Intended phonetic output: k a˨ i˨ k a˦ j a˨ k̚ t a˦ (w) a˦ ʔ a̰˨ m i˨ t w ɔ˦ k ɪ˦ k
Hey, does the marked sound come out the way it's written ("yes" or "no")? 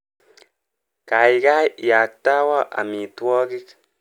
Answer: yes